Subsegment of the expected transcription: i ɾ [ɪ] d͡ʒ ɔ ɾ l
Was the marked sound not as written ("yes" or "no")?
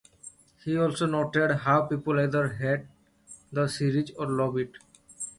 yes